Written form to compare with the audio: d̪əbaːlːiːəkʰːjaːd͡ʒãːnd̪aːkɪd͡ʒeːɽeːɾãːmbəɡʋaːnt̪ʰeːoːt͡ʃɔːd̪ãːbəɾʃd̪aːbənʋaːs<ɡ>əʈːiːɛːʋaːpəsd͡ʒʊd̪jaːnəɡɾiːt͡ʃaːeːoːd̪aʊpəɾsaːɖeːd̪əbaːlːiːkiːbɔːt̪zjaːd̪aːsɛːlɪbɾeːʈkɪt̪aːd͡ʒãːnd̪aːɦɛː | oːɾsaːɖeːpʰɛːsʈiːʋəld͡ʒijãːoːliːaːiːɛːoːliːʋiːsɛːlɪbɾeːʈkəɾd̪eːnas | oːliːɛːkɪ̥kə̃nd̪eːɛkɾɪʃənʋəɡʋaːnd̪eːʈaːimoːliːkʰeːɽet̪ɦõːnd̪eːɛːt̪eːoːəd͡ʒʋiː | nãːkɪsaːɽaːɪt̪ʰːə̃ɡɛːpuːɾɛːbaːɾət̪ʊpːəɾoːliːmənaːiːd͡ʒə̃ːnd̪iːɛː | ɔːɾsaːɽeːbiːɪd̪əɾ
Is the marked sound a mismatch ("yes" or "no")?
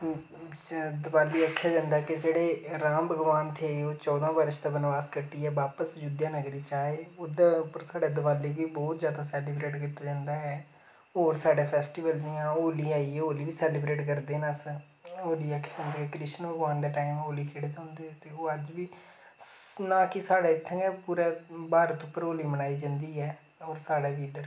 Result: yes